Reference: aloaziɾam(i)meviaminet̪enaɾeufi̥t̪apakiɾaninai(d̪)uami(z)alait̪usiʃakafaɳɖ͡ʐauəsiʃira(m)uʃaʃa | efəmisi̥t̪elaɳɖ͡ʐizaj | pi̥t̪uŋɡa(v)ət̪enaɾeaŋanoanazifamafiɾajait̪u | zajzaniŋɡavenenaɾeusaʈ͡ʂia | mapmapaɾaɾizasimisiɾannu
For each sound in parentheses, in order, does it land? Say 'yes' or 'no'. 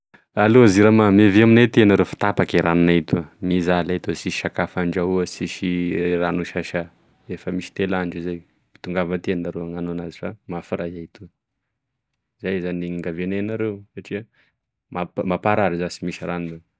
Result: no, no, yes, no, yes

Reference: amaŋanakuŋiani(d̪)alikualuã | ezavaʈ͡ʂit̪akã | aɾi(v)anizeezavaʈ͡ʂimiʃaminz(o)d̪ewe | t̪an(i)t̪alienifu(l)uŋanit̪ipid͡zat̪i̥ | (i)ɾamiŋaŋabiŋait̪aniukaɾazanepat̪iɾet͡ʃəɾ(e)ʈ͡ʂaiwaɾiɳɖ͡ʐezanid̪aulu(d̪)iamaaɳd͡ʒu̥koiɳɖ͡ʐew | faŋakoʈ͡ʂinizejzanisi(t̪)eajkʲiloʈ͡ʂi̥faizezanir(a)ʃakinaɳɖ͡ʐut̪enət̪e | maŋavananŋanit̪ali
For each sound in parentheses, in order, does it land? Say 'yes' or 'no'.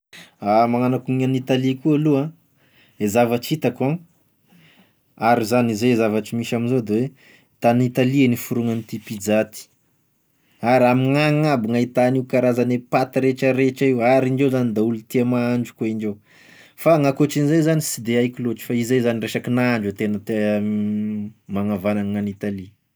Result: no, no, yes, yes, no, no, yes, no, no, no

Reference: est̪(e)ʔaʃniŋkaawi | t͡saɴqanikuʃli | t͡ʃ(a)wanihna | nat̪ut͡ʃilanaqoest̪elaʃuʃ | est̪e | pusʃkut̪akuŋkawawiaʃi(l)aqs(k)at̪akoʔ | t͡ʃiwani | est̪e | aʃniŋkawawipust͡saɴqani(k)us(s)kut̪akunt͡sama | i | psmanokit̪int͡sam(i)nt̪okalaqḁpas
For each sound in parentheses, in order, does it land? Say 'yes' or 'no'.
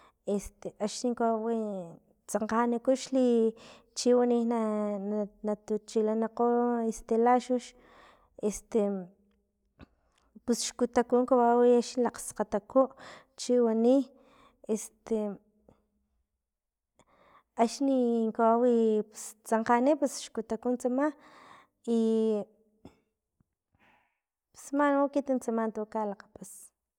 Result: yes, no, yes, no, no, no, no

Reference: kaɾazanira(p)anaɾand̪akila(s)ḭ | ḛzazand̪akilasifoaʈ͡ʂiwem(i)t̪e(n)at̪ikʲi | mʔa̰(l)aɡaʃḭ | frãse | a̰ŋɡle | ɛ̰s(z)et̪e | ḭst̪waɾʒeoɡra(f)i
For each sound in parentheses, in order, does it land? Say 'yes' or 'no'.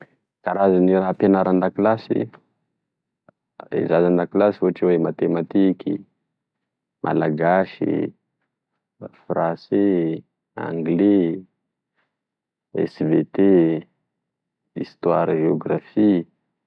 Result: yes, yes, no, no, yes, no, yes

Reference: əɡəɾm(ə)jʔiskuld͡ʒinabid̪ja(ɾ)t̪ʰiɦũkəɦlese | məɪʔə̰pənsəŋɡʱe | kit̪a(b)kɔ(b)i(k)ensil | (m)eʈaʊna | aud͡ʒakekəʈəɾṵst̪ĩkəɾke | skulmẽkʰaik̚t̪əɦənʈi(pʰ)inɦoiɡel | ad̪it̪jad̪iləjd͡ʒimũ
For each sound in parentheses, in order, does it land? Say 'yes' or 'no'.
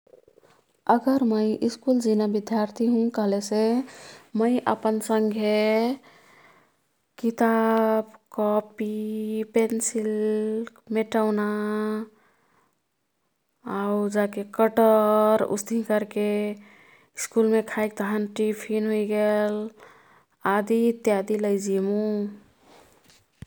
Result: yes, yes, yes, no, no, yes, yes

